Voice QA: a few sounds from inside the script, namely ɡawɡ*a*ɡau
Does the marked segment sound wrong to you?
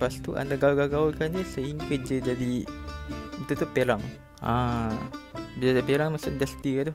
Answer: no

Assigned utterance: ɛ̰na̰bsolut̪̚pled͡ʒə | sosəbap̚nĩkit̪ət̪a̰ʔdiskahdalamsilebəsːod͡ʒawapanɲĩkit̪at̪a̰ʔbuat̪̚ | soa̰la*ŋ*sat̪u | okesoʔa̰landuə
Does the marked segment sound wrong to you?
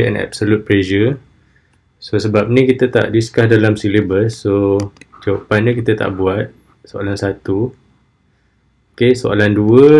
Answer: yes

